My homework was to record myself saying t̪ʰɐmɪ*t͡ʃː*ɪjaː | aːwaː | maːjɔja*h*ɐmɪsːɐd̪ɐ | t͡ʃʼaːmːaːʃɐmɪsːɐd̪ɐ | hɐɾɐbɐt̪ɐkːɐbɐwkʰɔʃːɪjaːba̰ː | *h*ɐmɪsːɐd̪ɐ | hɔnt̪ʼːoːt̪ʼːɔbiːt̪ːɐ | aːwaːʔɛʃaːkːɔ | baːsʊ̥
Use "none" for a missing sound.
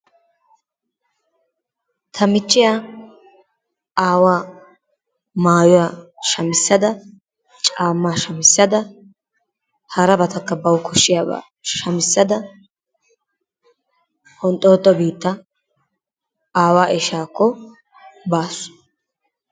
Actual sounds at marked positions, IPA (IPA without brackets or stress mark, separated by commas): t͡ʃː, ʃ, ʃ